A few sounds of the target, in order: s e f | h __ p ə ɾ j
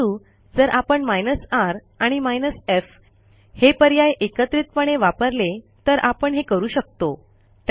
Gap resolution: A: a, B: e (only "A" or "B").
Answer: B